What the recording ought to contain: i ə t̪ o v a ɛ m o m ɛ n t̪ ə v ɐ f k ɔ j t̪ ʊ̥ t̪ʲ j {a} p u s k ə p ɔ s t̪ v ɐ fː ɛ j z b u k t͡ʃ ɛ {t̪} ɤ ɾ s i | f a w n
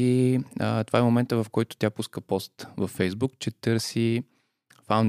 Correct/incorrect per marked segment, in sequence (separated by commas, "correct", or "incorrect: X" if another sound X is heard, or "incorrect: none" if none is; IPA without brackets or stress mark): correct, correct